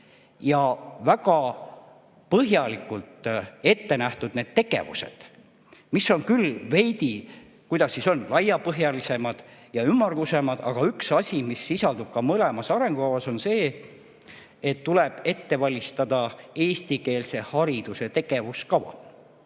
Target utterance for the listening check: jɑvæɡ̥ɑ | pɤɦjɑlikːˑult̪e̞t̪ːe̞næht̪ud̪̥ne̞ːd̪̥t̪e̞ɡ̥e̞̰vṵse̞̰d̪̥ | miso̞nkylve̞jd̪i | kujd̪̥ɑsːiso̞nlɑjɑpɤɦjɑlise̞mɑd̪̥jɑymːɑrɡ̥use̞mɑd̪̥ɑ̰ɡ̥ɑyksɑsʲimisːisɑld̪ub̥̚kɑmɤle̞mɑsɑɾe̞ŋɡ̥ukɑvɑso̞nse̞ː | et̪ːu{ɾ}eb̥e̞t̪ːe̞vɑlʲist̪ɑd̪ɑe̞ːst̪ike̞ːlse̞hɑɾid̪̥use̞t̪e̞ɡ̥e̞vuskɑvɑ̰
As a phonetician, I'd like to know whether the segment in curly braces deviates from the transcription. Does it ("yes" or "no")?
yes